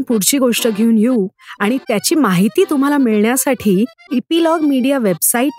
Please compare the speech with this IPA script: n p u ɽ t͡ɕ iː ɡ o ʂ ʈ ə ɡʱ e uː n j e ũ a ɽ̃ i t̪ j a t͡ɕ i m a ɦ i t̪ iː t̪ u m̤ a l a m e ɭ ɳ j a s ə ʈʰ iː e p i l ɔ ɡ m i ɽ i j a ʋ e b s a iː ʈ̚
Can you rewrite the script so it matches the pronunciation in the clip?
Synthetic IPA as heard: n p u ɽ t͡ɕ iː ɡ o ʂ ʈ ə ɡʱ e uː n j e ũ a ɽ̃ i t̪ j a t͡ɕ iː m a ɦ i t̪ iː t̪ u m̤ a l a m i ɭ ɳ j a s a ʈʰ iː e p i l ɔ ɡ m i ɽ i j a ʋ e b s a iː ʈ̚